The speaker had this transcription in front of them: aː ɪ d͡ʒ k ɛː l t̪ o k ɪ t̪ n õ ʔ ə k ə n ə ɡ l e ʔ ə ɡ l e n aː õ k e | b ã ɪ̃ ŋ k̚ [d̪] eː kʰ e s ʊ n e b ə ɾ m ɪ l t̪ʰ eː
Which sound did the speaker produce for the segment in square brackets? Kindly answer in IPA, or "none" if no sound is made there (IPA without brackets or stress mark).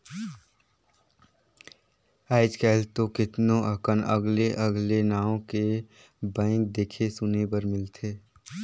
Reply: d̪